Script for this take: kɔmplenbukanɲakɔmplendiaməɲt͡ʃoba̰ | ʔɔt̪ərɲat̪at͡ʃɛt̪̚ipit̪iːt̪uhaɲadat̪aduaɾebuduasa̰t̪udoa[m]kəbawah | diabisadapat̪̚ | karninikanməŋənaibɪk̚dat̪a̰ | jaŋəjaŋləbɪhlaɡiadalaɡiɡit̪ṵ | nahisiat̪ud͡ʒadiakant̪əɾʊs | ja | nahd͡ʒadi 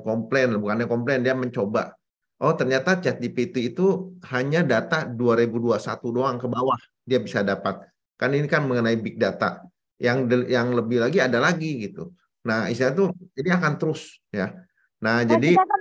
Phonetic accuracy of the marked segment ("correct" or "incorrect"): incorrect